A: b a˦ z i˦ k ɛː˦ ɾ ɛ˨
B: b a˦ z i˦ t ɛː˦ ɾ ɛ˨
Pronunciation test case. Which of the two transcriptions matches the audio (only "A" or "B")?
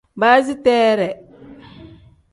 B